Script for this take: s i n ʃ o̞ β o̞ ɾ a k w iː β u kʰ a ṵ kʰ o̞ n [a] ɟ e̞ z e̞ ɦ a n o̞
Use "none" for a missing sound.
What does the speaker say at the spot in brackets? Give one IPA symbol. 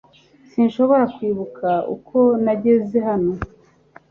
a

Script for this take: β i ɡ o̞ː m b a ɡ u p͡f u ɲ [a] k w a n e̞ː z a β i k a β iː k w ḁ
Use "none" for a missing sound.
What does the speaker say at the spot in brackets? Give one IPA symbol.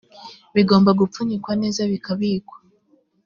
i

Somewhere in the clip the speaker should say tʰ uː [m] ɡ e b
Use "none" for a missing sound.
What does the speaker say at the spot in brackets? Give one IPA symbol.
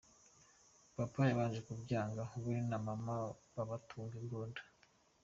ŋ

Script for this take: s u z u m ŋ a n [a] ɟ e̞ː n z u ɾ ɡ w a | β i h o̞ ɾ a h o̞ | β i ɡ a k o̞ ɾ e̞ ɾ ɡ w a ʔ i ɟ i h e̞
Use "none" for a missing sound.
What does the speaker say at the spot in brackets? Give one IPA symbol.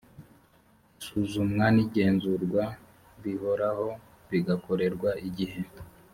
i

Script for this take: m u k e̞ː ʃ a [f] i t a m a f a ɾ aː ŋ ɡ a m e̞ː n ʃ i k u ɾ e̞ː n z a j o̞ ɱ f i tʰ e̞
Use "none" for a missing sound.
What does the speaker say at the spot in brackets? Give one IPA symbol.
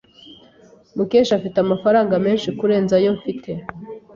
f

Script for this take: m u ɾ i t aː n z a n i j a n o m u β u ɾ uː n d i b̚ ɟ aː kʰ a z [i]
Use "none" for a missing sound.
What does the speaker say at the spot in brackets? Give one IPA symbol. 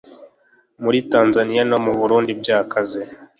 e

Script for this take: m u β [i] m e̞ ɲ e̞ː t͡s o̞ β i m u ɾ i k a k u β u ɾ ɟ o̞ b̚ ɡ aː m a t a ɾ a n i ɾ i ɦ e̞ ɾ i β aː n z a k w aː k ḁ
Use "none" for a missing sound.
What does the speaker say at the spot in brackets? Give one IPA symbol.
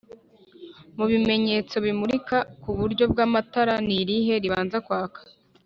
i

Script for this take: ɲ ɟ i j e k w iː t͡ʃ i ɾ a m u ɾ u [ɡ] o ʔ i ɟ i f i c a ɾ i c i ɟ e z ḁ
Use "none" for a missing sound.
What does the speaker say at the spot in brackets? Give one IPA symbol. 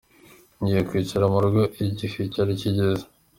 ɡ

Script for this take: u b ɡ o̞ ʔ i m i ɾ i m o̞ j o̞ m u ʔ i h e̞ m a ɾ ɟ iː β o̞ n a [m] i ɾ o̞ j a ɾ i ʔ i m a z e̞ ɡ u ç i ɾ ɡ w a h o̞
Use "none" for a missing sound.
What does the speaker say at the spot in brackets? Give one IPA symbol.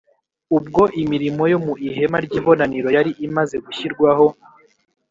n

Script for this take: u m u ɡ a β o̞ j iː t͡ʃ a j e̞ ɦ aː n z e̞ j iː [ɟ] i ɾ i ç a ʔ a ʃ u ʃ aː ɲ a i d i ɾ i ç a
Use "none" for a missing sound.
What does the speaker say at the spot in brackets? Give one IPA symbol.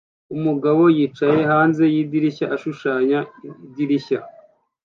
d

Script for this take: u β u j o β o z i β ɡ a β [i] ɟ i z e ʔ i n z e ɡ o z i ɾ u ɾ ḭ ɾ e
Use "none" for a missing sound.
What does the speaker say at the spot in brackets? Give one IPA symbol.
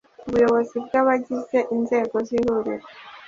a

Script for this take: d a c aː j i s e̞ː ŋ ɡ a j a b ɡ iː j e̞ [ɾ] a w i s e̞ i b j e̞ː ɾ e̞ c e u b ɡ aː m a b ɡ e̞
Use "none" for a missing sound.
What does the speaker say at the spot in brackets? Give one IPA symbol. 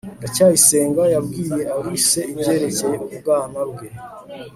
none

